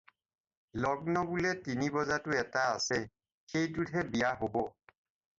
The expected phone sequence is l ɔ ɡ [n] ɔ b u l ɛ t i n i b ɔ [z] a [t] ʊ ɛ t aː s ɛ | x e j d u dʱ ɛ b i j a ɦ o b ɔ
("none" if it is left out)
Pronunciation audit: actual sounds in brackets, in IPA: n, z, t

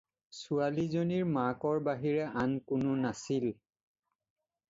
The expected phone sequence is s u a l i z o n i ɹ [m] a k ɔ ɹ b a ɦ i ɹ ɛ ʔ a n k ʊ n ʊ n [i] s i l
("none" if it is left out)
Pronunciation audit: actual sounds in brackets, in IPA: m, a

